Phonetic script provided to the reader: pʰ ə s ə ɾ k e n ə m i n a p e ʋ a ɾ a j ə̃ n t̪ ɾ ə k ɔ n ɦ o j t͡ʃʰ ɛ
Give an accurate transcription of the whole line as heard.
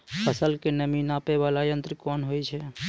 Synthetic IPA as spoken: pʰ ə s ə l k e n ə m i n a p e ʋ a l a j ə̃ n t̪ ɾ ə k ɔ n ɦ o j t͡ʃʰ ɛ